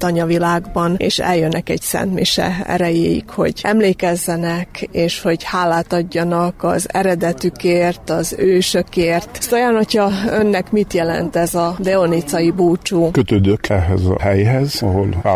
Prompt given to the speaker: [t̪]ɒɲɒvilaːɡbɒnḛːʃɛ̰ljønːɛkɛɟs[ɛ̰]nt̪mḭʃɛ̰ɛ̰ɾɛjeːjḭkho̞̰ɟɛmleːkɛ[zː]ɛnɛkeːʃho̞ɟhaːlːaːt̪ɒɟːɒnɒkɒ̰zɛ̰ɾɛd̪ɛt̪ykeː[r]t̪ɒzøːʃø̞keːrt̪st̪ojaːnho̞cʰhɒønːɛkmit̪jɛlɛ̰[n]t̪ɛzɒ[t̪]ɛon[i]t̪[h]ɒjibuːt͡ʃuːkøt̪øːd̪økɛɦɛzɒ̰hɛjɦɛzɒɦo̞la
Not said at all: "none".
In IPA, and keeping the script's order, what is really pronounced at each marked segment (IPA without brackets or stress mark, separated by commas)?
t̪, ɛ̰, zː, r, n, d̪, i, s